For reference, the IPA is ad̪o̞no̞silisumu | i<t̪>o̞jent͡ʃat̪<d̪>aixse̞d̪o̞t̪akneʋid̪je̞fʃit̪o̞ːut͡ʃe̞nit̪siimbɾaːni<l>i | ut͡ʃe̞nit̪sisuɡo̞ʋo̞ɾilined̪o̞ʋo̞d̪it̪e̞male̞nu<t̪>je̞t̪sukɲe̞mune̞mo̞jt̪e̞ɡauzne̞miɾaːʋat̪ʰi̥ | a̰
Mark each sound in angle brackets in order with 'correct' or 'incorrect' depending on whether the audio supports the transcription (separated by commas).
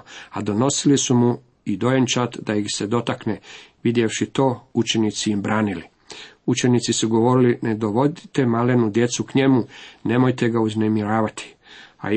incorrect, correct, correct, incorrect